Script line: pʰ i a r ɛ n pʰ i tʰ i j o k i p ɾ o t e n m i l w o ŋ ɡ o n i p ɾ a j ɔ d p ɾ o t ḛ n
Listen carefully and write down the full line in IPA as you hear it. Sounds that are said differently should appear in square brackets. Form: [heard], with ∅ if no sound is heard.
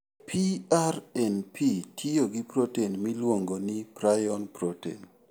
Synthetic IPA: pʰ i a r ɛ n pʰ i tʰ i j o [ɡ] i p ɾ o t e n m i l w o ŋ ɡ o n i p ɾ a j ɔ [n] p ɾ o t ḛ n